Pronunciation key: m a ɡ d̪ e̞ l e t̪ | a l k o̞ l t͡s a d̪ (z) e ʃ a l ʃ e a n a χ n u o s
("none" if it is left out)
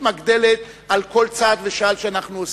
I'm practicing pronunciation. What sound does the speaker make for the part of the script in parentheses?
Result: v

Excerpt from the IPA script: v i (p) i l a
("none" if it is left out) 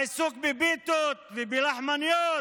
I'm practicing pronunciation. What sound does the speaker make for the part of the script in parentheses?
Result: b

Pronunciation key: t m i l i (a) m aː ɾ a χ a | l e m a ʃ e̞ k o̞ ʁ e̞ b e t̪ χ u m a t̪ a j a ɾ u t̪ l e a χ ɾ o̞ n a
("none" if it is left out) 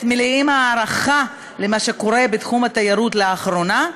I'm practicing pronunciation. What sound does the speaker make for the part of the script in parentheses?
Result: i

